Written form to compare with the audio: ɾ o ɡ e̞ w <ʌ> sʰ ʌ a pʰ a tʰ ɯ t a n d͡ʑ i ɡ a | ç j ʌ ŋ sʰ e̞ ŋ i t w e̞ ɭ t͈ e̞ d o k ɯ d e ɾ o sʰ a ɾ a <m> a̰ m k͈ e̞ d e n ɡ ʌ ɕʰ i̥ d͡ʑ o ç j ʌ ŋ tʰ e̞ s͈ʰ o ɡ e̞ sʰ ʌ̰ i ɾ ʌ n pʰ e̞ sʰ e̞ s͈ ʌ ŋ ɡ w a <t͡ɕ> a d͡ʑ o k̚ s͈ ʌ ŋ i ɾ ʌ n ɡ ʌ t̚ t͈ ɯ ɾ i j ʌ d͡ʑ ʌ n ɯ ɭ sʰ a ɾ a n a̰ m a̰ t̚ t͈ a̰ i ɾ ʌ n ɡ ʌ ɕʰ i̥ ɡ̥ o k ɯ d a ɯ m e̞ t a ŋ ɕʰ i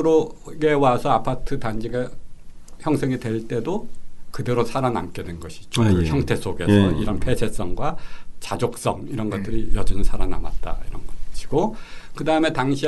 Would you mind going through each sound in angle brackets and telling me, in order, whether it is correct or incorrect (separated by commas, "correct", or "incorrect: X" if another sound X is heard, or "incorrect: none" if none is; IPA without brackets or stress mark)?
incorrect: a, incorrect: n, correct